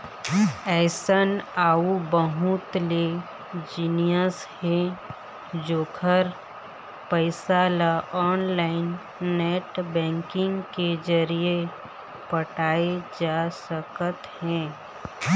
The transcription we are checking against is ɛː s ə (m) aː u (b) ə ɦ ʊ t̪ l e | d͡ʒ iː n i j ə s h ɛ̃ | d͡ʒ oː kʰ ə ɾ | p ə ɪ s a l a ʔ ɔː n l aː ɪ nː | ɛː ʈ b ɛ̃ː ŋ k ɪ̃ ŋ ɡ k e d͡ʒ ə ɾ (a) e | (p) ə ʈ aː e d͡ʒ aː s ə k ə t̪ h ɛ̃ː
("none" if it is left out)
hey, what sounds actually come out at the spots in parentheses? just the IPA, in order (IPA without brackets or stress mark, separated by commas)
n, b, i, p